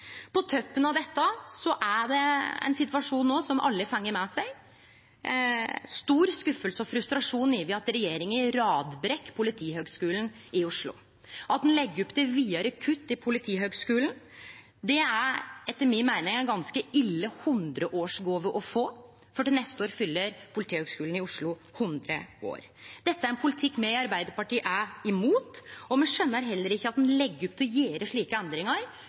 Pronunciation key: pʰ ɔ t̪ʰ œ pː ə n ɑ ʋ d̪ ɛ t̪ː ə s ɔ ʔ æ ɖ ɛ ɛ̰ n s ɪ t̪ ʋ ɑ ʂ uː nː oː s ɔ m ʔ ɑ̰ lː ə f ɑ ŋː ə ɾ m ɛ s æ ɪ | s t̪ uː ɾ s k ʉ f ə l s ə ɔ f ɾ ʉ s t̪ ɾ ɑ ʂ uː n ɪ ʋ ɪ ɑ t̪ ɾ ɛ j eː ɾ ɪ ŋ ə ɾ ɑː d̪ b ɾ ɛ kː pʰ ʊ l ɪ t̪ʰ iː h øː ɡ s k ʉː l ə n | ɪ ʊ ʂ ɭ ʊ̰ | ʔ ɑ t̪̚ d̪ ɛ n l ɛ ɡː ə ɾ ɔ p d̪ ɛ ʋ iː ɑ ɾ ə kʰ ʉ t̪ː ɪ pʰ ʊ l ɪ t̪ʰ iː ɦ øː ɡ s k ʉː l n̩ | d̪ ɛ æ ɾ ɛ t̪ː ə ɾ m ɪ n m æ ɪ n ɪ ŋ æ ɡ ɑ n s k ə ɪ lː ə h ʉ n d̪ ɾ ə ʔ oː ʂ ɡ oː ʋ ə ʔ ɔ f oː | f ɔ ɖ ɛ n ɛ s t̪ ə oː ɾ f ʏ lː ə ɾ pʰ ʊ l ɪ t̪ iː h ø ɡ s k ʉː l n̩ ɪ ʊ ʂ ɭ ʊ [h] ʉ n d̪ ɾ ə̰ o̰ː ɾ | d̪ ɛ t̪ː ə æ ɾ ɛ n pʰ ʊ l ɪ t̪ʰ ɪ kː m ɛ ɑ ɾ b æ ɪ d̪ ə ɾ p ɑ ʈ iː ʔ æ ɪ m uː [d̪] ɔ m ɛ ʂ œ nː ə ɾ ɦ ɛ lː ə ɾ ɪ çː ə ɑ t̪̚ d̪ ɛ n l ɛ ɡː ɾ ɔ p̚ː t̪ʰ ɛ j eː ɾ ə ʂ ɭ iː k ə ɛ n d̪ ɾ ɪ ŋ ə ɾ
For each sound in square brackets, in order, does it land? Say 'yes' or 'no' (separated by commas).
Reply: yes, no